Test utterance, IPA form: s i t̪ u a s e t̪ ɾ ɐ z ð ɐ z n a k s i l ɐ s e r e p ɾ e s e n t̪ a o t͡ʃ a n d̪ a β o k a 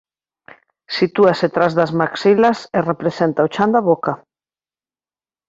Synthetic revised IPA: s i t̪ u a s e t̪ ɾ a z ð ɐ z m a k s i l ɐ s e r e p ɾ e s e n t̪ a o t͡ʃ a n d̪ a β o k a

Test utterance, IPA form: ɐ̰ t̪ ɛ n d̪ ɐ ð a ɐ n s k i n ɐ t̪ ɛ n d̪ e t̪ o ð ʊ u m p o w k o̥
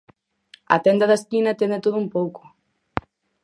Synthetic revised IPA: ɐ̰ t̪ ɛ n d̪ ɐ ð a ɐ s k i n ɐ t̪ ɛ n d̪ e t̪ o ð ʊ u m p o w k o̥

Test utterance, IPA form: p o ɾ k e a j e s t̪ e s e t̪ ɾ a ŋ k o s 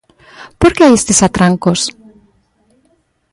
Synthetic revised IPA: p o ɾ k e a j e s t̪ e s a t̪ ɾ a ŋ k o s

